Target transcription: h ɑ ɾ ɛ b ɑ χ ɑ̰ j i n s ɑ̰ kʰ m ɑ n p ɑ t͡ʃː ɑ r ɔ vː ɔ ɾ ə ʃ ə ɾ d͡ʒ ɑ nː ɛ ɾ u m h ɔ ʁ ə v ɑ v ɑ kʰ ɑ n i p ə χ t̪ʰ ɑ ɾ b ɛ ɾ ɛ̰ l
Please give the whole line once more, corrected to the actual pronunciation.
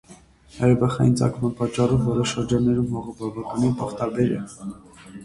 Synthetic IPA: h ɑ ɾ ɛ b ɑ χ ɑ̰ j i n t͡s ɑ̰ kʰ m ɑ n p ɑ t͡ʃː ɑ r ɔ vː ɔ ɾ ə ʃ ə ɾ d͡ʒ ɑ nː ɛ ɾ u m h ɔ ʁ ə b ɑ v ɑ k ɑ n i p ɑ χ t̪ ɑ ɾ b ɛ ɾ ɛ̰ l